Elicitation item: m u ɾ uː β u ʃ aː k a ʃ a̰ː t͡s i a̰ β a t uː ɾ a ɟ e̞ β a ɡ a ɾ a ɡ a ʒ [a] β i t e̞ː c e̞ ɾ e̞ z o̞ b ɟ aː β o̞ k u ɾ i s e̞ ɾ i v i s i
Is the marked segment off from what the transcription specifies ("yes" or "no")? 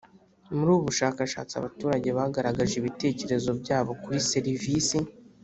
yes